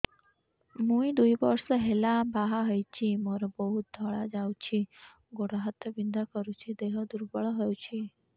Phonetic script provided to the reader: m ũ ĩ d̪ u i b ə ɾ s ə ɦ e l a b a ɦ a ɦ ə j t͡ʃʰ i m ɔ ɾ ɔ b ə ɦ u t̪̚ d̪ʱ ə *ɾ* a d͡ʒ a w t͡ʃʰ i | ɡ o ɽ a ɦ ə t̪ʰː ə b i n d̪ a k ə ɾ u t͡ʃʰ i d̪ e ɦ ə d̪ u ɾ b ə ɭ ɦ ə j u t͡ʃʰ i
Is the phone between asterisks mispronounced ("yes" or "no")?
yes